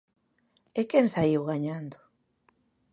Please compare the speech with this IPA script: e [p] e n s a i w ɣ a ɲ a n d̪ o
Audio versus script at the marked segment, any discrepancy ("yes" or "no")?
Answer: yes